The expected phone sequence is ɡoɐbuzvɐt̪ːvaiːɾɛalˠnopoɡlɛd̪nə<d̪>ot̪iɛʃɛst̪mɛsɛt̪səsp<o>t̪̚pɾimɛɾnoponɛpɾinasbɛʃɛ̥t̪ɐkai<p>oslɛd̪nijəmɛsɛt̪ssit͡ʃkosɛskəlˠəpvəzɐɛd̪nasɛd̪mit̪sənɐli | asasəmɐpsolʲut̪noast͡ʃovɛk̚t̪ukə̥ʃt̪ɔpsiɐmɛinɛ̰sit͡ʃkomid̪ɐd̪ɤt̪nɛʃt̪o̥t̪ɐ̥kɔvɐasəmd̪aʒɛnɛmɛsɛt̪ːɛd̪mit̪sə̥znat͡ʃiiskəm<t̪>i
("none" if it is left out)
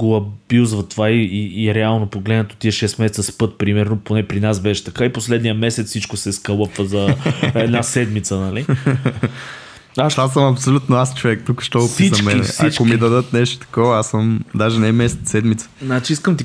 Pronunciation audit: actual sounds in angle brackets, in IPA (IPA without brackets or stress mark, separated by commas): t̪, ɤ, p, t̪